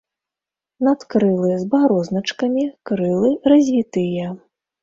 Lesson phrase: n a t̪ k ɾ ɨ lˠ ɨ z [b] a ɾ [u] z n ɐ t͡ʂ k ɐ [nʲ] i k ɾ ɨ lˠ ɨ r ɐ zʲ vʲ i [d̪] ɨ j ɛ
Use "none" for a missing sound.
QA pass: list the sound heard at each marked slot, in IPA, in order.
b, ɔ, mʲ, t̪

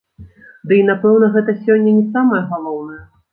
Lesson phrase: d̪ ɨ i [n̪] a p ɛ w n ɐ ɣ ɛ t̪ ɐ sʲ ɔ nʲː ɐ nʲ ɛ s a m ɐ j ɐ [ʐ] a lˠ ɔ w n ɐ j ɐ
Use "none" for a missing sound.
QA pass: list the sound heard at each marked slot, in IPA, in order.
n̪, ɣ

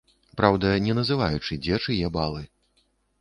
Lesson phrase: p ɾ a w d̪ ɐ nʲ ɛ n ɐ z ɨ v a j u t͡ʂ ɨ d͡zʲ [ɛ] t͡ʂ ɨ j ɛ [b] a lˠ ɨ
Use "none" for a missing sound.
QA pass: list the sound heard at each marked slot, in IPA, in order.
ɛ, b

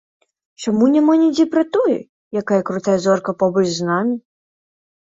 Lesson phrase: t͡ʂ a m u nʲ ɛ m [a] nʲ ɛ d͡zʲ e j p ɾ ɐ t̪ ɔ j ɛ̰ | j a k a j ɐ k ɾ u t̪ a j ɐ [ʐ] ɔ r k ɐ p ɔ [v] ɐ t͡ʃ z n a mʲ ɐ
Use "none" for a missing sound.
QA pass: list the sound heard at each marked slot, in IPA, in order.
a, z, b

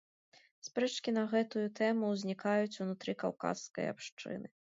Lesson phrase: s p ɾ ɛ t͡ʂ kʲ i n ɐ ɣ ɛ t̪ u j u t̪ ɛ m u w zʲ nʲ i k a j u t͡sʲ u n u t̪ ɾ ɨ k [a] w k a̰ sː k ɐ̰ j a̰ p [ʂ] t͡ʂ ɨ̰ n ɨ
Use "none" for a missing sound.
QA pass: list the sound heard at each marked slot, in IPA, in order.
a, ʂ

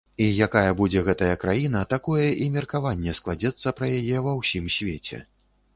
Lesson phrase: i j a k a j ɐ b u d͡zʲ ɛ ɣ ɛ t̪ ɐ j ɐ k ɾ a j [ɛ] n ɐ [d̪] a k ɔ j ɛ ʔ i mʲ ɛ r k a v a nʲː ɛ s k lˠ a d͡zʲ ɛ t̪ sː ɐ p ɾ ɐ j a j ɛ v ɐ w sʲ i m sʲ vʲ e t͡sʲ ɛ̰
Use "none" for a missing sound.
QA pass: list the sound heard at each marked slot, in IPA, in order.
i, t̪

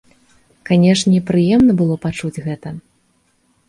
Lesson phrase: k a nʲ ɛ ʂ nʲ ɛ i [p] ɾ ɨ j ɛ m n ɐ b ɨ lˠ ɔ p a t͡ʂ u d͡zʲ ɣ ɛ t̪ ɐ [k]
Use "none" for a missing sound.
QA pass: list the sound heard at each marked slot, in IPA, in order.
p, none

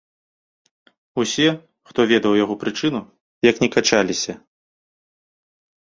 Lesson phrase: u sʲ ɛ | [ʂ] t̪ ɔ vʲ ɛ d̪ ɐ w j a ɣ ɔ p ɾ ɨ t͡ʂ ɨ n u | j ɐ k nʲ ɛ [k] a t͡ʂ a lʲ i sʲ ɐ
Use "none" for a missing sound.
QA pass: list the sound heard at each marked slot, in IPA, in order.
x, k

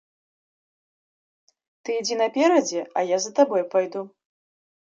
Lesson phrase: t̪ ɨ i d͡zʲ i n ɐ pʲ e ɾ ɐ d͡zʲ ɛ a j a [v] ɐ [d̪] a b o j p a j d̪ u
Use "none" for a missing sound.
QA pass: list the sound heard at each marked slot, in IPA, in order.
z, t̪

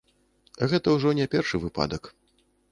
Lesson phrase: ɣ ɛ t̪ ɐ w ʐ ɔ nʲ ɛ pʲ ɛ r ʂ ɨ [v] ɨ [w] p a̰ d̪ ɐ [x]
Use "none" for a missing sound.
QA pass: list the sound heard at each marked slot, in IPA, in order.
v, none, k

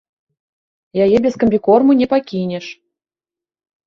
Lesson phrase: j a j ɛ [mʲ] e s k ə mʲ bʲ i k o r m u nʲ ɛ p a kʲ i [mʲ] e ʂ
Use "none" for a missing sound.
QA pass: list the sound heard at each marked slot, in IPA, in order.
bʲ, nʲ

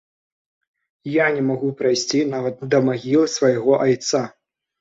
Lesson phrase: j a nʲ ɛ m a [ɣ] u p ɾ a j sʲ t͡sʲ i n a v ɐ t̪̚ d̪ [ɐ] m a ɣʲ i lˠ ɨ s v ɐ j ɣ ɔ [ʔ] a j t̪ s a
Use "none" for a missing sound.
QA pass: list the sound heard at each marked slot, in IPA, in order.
ɣ, ɐ, ʔ

